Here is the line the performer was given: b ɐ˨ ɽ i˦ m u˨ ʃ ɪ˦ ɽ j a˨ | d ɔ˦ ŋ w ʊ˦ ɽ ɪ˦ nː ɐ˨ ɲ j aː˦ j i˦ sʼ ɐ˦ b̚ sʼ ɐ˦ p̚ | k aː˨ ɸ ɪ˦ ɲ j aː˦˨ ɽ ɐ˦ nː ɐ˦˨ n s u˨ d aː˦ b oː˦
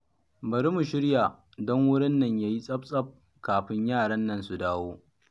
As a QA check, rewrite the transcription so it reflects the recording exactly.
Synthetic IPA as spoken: b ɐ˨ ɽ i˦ m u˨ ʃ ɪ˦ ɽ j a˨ | d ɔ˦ ŋ w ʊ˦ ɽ ɪ˦ nː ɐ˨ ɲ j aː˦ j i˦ sʼ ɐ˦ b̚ sʼ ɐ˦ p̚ | k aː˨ ɸ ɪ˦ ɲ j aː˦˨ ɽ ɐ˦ nː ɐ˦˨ n s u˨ d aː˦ w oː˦